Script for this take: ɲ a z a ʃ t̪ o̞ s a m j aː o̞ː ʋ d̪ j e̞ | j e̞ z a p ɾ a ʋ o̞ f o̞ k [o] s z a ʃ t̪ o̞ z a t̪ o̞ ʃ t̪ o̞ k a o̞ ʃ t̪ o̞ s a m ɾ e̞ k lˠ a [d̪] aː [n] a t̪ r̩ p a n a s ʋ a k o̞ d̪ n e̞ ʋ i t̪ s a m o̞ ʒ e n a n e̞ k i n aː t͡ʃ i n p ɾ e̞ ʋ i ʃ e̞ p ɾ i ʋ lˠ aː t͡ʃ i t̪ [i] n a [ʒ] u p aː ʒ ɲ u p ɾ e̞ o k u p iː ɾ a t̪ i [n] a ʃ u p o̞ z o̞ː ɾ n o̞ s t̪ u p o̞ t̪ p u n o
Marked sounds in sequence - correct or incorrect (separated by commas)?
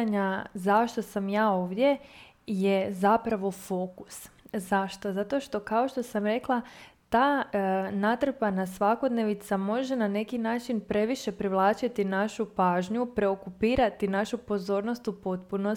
incorrect, incorrect, correct, correct, incorrect, correct